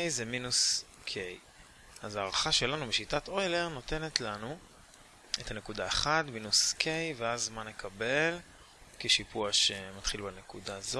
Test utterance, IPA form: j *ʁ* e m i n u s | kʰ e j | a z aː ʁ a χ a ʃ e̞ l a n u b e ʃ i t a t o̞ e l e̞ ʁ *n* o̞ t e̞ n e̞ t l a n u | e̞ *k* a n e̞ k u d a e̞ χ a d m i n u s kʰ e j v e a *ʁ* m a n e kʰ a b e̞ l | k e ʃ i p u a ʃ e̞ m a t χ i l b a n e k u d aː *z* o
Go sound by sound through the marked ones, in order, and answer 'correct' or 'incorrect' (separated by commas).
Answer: incorrect, correct, incorrect, incorrect, correct